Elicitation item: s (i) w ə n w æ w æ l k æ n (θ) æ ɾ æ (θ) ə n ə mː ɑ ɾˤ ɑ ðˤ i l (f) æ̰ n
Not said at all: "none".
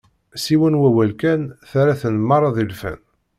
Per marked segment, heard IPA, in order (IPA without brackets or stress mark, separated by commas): i, θ, θ, f